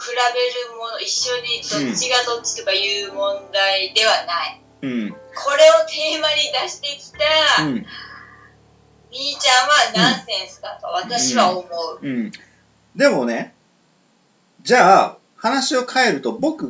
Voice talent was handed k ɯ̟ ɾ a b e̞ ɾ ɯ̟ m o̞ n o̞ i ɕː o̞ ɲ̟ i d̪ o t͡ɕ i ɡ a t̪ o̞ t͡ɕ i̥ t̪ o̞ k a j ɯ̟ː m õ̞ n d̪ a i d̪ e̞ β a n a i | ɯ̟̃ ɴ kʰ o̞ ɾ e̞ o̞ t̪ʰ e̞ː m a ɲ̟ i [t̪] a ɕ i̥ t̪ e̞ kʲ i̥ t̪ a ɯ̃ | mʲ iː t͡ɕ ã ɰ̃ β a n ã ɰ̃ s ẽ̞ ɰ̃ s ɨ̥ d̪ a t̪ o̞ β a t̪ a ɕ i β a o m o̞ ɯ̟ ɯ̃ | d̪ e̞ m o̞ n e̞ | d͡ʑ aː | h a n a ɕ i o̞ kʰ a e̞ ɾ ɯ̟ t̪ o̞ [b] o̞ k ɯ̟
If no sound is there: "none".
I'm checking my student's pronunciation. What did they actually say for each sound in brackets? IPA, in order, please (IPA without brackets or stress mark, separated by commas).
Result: d̪, b